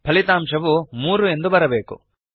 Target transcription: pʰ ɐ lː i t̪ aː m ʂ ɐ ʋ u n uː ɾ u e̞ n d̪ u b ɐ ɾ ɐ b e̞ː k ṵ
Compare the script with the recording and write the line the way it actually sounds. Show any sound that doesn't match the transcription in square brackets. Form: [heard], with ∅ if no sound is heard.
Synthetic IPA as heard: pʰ ɐ [l] i t̪ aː m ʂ ɐ ʋ u [m] uː ɾ u e̞ n d̪ u b ɐ ɾ ɐ b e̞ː k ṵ